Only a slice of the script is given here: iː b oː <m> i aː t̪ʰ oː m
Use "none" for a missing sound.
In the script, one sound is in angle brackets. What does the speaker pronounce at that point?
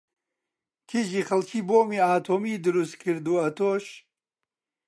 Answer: m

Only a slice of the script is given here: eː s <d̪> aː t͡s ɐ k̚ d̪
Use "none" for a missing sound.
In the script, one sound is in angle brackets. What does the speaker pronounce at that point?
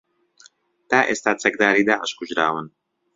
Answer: t̪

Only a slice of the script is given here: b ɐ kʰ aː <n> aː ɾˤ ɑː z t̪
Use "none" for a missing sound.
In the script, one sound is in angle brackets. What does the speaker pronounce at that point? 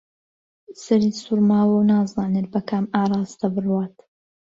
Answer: m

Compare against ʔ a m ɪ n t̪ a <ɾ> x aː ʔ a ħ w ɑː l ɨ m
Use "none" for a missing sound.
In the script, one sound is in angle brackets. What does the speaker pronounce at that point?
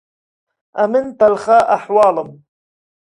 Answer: l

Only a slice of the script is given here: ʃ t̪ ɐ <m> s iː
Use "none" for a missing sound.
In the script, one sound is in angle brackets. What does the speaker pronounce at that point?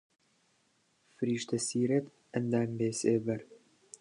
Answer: none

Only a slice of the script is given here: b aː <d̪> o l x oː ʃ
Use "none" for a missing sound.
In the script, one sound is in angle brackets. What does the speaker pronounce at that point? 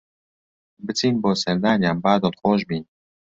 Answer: d̪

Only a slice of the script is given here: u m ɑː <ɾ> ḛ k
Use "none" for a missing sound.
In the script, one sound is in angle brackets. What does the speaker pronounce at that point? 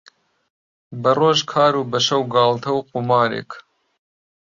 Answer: ɾ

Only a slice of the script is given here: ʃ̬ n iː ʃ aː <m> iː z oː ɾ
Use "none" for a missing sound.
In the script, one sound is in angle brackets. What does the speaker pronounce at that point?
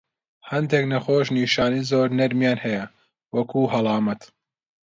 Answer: n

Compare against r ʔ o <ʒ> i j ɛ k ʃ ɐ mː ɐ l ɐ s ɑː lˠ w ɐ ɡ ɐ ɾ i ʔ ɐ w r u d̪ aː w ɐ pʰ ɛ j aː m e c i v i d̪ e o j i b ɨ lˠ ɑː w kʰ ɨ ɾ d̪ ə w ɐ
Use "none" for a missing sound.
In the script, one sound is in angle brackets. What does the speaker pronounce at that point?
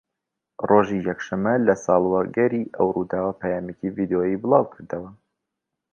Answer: ʒ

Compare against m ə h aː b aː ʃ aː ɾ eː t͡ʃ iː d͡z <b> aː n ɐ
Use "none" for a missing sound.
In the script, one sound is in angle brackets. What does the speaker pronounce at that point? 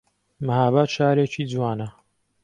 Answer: w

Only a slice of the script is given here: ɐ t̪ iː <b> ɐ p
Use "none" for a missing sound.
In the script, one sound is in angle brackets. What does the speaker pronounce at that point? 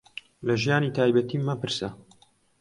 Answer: m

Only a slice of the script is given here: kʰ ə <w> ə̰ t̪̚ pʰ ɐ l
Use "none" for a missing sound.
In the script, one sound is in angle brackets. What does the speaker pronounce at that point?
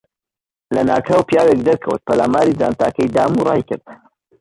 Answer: w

